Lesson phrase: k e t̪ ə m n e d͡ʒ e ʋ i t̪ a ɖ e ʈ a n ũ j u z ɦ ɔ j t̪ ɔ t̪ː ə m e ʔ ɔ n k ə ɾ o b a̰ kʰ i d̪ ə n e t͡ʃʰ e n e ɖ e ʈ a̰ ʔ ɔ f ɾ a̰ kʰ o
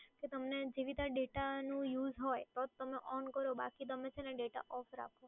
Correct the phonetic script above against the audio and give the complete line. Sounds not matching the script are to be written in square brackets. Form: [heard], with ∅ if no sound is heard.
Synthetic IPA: k e t̪ ə m n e d͡ʒ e ʋ i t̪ a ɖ e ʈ a n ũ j u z ɦ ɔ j t̪ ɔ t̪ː ə m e ʔ ɔ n k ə ɾ o b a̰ [k] i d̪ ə [m] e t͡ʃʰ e n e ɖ e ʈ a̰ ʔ ɔ f ɾ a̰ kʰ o